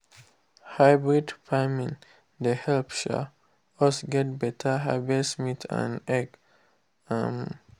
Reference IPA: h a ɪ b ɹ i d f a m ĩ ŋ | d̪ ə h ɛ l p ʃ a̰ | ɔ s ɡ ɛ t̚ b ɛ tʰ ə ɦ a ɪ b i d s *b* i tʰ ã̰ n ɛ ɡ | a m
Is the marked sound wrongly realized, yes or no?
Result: yes